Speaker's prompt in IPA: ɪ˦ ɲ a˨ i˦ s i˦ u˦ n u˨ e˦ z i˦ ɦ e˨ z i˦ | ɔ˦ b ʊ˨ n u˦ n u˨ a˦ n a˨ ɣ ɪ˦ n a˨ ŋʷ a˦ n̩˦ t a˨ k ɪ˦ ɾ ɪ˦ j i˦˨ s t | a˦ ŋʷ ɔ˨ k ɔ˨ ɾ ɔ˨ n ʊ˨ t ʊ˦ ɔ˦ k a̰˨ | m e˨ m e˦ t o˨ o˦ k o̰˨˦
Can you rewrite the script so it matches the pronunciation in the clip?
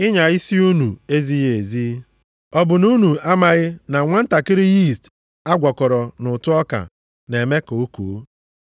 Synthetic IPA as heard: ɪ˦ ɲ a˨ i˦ s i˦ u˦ n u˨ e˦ z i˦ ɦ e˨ z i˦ | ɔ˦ b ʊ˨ n u˦ n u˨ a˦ m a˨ ɣ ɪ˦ n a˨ ŋʷ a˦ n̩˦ t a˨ k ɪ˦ ɾ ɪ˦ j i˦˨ s t | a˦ ɡʷ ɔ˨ k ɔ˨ ɾ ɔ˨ n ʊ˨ t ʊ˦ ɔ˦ k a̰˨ | n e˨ m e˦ k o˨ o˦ k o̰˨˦

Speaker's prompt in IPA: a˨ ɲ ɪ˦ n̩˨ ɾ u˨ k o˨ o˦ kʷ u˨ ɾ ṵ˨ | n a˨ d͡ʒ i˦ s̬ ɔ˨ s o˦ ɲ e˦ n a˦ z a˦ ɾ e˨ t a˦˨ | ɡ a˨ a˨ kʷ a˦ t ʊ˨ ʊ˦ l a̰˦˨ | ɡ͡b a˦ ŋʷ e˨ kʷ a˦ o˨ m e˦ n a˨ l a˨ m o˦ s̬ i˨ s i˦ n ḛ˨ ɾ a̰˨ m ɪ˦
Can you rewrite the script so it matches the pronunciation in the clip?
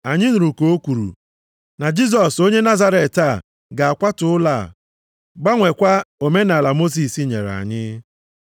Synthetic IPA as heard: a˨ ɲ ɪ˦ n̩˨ ɾ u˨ k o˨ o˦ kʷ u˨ ɾ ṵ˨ | n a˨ d͡ʒ i˦ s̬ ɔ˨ s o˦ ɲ e˦ n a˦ z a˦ ɾ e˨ t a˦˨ | ɡ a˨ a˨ kʷ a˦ t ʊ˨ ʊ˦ l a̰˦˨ | ɡ͡b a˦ ŋʷ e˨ kʷ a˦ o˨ m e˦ n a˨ l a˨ m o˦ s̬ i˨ s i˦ ɲ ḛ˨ ɾ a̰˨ ɲ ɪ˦

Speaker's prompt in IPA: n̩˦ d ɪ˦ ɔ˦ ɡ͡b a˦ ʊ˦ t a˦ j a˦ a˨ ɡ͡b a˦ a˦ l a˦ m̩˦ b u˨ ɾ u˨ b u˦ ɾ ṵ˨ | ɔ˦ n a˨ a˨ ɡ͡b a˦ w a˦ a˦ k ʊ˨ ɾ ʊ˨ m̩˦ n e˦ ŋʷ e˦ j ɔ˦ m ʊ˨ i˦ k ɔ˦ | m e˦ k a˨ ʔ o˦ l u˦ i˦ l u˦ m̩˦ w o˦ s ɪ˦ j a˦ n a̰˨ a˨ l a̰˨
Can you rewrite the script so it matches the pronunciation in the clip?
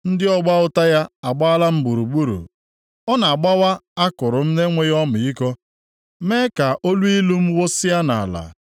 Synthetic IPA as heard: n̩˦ d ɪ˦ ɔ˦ ɡ͡b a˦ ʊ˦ t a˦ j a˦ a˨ ɡ͡b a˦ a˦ l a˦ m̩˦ b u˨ ɾ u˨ ɡ͡b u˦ ɾ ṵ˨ | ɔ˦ n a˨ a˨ ɡ͡b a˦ w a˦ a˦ k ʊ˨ ɾ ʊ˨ m̩˦ n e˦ ŋʷ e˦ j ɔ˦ m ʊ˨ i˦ k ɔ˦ | m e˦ k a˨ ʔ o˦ l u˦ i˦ l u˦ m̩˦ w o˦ s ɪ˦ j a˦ n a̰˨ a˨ l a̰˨

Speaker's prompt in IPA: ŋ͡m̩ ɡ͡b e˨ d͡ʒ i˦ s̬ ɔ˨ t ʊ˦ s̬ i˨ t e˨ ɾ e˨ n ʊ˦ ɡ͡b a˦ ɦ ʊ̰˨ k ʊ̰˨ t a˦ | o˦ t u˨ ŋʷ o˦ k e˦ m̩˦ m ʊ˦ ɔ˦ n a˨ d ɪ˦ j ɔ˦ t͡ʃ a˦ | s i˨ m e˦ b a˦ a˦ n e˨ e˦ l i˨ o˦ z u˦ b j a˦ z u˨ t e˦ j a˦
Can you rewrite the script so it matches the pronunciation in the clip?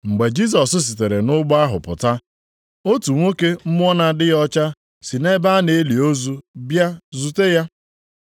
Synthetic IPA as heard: ŋ͡m̩ ɡ͡b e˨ d͡ʒ i˦ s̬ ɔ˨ s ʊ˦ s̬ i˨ t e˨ ɾ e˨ n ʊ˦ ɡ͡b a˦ ɦ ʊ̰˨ p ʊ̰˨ t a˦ | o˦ t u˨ ŋʷ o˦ k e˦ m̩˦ m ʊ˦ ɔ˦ n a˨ d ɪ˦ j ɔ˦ t͡ʃ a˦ | s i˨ n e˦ b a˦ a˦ n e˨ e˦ l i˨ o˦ z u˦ b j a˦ z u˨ t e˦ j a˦

